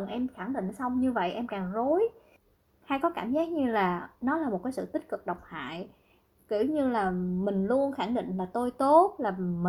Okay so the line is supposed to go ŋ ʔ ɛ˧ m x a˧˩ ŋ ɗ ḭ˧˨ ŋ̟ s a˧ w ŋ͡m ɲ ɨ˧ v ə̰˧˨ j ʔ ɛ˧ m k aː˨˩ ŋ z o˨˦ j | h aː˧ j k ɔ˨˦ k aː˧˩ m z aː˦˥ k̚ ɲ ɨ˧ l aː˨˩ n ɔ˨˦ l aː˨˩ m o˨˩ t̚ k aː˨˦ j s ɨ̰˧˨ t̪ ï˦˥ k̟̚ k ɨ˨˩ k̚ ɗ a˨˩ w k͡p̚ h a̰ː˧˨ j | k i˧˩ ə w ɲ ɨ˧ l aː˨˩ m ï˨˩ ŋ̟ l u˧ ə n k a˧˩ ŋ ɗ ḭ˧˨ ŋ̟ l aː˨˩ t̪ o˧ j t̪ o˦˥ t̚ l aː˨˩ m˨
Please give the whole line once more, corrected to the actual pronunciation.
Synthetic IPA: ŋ ʔ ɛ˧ m x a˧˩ ŋ ɗ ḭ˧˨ ŋ̟ s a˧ w ŋ͡m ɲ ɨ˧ v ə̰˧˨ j ʔ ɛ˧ m k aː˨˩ ŋ z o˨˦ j | h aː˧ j k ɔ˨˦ k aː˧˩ m z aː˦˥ k̚ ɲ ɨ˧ l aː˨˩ n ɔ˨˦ l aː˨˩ m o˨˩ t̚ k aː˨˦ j s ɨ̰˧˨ t̪ ï˦˥ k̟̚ k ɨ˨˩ k̚ ɗ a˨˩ w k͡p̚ h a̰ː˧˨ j | k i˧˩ ə w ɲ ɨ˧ l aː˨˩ m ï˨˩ ŋ̟ l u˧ ə n x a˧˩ ŋ ɗ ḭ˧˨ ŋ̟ l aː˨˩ t̪ o˧ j t̪ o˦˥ t̚ l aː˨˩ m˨